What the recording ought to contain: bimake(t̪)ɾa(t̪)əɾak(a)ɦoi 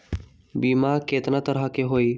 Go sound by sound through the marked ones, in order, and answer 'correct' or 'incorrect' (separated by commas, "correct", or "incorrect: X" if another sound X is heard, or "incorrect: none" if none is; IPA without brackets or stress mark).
correct, correct, incorrect: e